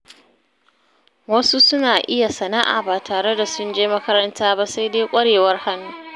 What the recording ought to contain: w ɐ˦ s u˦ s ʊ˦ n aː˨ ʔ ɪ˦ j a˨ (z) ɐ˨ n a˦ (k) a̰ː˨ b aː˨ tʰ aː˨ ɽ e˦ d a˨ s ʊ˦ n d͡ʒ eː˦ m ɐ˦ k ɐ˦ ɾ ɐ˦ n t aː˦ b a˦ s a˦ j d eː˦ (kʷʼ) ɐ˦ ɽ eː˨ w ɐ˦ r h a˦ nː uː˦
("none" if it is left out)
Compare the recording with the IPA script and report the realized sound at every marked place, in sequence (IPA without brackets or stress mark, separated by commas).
s, ʔ, kʷʼ